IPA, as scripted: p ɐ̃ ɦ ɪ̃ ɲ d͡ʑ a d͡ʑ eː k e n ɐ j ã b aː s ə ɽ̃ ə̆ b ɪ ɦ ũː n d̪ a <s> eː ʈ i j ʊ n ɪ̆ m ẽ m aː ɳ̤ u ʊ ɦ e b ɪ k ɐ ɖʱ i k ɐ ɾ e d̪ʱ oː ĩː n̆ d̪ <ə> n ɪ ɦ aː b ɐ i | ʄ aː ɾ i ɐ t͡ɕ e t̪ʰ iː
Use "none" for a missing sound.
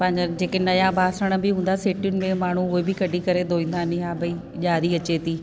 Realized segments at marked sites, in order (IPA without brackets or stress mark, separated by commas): s, a